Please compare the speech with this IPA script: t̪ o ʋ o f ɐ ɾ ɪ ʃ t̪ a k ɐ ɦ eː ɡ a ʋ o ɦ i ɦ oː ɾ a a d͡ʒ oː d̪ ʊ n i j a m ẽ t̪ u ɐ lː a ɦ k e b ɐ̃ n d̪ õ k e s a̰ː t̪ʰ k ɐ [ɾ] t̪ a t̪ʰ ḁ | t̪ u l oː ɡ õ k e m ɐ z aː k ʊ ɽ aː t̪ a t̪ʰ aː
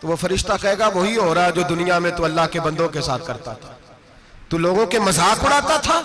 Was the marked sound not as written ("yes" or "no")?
no